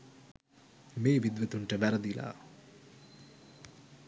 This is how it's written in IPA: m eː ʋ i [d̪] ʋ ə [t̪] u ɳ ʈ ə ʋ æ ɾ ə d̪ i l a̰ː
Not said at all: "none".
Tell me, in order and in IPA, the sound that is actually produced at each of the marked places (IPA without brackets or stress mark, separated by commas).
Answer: d̪, t̪